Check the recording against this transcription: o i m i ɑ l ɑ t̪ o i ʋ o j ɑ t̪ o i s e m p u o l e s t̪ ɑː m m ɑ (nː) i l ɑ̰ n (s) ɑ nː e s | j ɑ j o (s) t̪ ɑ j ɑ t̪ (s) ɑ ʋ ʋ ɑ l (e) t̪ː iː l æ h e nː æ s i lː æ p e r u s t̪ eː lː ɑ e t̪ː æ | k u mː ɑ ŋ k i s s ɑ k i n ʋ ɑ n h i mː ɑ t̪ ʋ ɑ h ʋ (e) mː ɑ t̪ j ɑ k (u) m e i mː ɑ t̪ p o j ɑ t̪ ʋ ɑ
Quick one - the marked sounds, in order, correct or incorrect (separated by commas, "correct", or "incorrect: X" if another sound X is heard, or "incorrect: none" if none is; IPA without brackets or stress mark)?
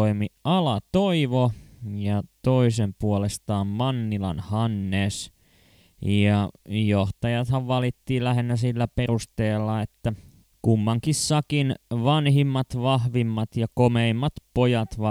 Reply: correct, incorrect: h, incorrect: h, incorrect: h, incorrect: i, incorrect: i, incorrect: o